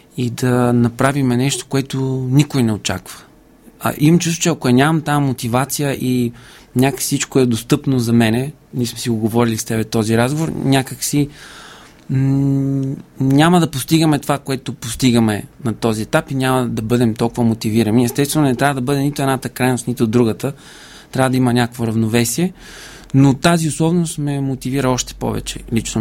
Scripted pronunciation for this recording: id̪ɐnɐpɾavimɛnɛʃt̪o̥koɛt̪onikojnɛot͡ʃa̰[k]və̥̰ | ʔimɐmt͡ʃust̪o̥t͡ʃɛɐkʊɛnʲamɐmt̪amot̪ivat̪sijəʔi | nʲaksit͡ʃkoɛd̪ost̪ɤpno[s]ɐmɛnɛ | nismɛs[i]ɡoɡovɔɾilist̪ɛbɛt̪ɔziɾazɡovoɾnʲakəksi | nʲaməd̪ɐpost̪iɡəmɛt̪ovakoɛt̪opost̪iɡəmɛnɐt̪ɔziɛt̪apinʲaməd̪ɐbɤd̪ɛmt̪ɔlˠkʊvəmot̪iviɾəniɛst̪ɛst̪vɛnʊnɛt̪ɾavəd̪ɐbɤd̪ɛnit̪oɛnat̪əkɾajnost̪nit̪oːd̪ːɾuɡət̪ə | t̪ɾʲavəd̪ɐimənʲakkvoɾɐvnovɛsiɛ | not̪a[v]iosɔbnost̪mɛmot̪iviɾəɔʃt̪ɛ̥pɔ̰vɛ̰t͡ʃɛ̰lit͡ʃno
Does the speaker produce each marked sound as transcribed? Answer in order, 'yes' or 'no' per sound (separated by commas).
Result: yes, no, yes, no